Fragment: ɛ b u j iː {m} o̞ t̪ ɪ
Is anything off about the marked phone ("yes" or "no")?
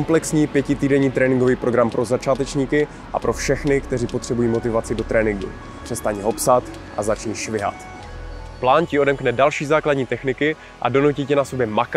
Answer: no